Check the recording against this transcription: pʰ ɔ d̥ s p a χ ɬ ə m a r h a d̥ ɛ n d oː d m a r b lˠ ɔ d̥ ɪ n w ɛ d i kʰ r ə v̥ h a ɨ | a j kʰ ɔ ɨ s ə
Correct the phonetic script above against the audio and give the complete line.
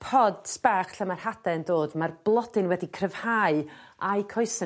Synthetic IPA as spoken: pʰ ɔ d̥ s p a χ ɬ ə m a r h a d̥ ɛ n d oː d m a r b lˠ ɔ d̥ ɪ n w ɛ d i kʰ r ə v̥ h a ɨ | a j kʰ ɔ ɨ s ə